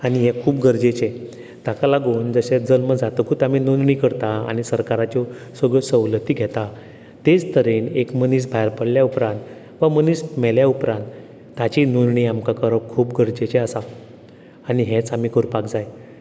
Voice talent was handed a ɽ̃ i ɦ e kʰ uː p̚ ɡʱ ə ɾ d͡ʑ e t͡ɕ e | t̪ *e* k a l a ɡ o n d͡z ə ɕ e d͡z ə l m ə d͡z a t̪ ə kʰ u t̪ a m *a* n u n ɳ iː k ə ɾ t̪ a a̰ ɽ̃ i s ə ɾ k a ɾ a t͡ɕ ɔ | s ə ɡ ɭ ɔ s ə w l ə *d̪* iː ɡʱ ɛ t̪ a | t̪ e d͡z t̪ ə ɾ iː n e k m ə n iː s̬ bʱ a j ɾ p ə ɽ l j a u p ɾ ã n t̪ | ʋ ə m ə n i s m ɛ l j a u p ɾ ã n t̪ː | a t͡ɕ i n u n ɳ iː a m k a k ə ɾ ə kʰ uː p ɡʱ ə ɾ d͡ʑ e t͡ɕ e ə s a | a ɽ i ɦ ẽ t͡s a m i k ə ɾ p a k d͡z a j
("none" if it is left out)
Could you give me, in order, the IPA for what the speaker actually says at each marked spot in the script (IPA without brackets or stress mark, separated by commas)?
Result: a, i, t̪